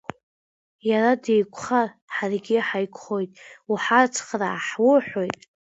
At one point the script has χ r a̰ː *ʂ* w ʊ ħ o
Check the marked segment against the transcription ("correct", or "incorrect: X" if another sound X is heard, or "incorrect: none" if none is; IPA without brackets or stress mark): incorrect: ħ